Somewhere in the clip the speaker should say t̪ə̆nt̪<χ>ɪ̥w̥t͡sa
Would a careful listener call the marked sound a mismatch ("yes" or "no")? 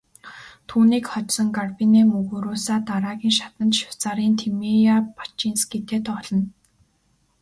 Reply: yes